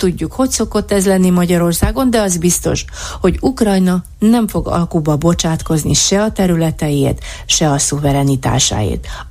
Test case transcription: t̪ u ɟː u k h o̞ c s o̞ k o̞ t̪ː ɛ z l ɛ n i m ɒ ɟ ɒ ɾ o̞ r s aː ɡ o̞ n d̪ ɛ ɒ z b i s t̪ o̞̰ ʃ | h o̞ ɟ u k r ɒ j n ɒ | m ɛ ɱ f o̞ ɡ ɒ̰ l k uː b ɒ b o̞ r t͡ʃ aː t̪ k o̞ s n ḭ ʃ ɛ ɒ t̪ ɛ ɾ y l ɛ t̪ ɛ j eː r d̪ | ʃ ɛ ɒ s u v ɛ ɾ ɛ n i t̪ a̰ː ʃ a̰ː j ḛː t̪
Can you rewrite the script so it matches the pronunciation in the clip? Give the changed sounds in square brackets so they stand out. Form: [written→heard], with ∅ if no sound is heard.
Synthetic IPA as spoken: t̪ u ɟː u k h o̞ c s o̞ k o̞ t̪ː ɛ z l ɛ [n→nː] i m ɒ ɟ ɒ ɾ o̞ r s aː ɡ o̞ n d̪ ɛ ɒ z b i s t̪ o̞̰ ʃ | h o̞ ɟ u k r ɒ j n ɒ | [m→n] ɛ ɱ f o̞ ɡ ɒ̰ l k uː b ɒ b o̞ [r→∅] t͡ʃ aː t̪ k o̞ [s→z] n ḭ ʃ ɛ ɒ t̪ ɛ ɾ y l ɛ t̪ ɛ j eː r [d̪→t̪] | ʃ ɛ ɒ s u v ɛ ɾ ɛ n i t̪ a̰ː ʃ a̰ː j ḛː t̪